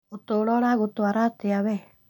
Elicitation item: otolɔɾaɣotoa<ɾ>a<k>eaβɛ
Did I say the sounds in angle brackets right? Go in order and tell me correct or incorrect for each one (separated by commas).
correct, incorrect